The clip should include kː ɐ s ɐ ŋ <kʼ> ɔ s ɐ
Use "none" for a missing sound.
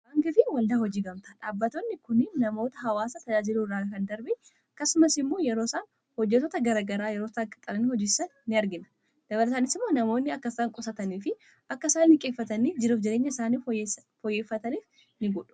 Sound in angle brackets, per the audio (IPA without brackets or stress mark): kʼ